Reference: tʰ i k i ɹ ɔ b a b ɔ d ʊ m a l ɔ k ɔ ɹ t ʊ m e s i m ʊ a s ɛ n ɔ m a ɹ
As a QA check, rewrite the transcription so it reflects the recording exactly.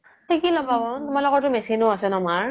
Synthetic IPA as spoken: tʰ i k i l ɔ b a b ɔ t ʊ m a l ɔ k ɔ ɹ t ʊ m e s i n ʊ a s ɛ n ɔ m a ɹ